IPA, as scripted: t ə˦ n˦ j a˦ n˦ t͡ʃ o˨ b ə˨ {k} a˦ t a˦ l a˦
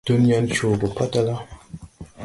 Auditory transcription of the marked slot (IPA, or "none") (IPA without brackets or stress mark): p